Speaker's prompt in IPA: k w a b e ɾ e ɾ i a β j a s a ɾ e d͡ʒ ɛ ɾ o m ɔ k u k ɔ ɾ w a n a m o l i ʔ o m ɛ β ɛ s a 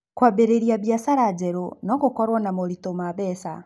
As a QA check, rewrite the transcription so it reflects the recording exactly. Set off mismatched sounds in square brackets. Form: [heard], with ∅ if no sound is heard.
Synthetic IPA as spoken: k w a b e ɾ e ɾ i a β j a s a ɾ [a] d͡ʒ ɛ ɾ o [n] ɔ k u k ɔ ɾ w a n a m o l i [t] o m [a] β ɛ s a